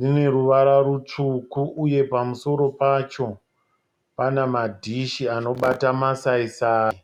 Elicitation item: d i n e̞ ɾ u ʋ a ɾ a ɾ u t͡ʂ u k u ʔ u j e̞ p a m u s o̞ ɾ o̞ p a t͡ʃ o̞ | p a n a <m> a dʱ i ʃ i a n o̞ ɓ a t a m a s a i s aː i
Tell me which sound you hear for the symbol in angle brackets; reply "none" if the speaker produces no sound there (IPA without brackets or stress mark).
m